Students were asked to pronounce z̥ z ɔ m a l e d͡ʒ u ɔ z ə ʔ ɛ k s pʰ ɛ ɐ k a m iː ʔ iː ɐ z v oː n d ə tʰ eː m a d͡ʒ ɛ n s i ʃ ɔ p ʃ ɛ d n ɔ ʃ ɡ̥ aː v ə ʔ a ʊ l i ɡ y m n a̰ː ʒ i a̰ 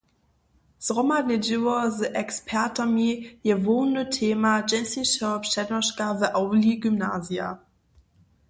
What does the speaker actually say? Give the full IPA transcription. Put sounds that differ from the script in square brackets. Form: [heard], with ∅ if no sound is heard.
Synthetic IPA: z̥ [ʁ] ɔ m a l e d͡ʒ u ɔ z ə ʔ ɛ k s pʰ ɛ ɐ [t] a m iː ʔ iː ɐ [∅] v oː n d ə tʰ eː m a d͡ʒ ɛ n s i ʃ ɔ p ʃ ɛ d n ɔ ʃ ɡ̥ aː v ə ʔ a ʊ l i ɡ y m n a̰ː [z] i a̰

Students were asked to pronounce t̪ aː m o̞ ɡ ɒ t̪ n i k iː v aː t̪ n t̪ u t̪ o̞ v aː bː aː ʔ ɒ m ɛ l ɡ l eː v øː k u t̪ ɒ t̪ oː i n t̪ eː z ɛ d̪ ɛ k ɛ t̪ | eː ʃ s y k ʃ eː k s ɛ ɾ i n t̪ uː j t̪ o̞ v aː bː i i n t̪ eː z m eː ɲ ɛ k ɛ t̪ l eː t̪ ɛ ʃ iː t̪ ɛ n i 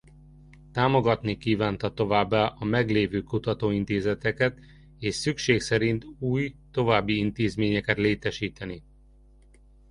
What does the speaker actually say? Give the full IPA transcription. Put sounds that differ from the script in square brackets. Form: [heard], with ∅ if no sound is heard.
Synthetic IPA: t̪ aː m o̞ ɡ ɒ t̪ n i k iː v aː [∅] n t̪ [ɒ] t̪ o̞ v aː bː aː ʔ ɒ m ɛ [∅] ɡ l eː v øː k u t̪ ɒ t̪ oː i n t̪ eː z ɛ [t̪] ɛ k ɛ t̪ | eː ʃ s y k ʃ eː k s ɛ ɾ i n t̪ uː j t̪ o̞ v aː bː i i n t̪ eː z m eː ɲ ɛ k ɛ t̪ l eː t̪ ɛ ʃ iː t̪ ɛ n i

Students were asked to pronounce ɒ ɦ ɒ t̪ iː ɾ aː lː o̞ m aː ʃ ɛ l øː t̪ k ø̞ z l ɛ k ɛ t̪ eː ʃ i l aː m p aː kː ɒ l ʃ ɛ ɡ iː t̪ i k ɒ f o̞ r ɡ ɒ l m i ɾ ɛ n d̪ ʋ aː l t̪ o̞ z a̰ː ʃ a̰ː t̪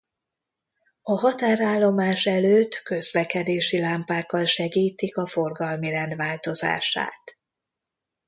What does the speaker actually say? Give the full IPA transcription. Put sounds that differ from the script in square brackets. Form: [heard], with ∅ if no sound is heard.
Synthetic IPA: ɒ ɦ ɒ t̪ [aː] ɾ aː lː o̞ m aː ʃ ɛ l øː t̪ k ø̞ z l ɛ k ɛ [d̪] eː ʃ i l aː m p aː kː ɒ l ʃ ɛ ɡ iː t̪ i k ɒ f o̞ r ɡ ɒ l m i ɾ ɛ n d̪ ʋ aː l t̪ o̞ z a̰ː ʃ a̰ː t̪

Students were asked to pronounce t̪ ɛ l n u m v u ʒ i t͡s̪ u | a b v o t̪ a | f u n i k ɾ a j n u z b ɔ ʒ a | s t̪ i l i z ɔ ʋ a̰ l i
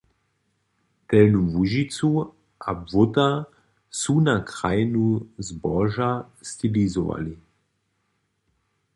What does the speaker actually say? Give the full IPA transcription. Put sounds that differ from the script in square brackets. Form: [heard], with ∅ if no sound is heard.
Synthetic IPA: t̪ ɛ l n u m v u ʒ i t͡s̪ u | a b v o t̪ a | [s] u n [a] k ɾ a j n u z b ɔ ʒ a | s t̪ i l i z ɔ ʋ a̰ l i

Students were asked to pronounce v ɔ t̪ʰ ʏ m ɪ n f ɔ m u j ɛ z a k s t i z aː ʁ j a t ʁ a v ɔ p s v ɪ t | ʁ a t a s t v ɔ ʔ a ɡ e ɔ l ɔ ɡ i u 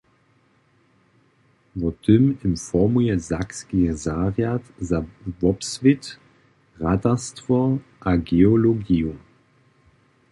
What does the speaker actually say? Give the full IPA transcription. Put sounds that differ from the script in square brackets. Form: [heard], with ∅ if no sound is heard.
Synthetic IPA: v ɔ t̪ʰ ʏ m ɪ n f ɔ m u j ɛ z a k s [k] i z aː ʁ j a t [z] a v ɔ p s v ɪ t | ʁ a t a s t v ɔ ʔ a ɡ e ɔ l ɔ ɡ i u

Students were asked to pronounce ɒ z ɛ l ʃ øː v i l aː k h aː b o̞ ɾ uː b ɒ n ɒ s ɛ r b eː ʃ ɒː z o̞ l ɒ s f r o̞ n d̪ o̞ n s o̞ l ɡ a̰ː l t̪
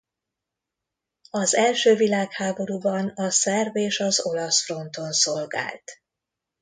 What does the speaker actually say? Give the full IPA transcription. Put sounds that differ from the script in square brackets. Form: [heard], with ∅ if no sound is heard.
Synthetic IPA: ɒ z ɛ l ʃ øː v i l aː k h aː b o̞ ɾ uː b ɒ n ɒ s ɛ r b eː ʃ [ɒ] z o̞ l ɒ s f r o̞ n [t̪] o̞ n s o̞ l ɡ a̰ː l t̪

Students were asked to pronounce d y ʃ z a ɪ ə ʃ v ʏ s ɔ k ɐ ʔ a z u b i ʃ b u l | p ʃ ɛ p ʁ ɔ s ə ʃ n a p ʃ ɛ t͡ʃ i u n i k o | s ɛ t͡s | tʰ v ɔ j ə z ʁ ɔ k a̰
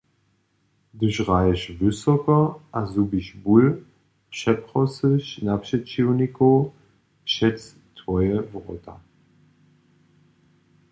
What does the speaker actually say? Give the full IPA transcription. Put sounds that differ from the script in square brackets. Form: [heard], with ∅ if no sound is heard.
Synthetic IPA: d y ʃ [ʁ] a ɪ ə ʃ v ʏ s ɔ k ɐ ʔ a z u b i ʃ b u l | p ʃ ɛ p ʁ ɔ s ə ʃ n a p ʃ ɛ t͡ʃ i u n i k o | [ʃ] ɛ t͡s | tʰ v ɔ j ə [v] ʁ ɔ [t] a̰

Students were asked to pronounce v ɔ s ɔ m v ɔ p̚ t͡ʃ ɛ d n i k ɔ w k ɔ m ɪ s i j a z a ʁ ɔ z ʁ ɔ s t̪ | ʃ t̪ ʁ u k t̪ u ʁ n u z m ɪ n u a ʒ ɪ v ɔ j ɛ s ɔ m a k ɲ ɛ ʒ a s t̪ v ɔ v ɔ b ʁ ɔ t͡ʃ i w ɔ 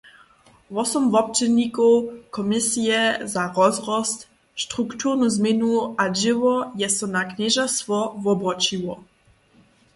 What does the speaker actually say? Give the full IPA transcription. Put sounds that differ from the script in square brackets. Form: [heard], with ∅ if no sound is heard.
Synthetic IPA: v ɔ s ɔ m v ɔ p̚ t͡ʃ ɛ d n i k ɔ w k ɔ m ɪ s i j [ɛ] z a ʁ ɔ z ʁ ɔ s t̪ | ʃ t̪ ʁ u k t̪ u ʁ n u z m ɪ n u a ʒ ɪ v ɔ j ɛ s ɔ [n] a k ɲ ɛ ʒ a s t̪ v ɔ v ɔ b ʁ ɔ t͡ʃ i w ɔ

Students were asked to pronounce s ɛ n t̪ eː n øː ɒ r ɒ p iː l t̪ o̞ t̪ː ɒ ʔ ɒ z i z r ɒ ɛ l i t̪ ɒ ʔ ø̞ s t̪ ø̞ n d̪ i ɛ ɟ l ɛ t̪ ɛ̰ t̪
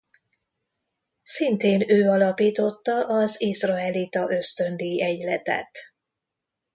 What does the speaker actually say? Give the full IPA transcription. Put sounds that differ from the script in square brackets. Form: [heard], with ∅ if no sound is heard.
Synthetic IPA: s [i] n t̪ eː n øː ɒ [l] ɒ p iː [∅] t̪ o̞ t̪ː ɒ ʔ ɒ z i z r ɒ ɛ l i t̪ ɒ ʔ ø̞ s t̪ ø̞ n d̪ i ɛ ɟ l ɛ t̪ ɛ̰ t̪

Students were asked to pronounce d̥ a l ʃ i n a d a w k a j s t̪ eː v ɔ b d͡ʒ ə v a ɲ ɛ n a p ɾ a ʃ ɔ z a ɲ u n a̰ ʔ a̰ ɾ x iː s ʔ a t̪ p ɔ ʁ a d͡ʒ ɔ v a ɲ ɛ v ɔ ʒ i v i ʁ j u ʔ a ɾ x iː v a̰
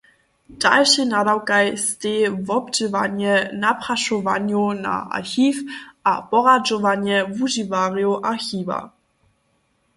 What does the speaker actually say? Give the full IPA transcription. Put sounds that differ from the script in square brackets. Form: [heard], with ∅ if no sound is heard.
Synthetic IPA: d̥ a l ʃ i n a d a w k a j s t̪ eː v ɔ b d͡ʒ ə v a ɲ ɛ n a p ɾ a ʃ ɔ [v] a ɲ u n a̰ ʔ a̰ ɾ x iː [f] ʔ a [∅] p ɔ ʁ a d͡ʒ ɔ v a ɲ ɛ v [u] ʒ i v [a] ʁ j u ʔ a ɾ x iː v a̰

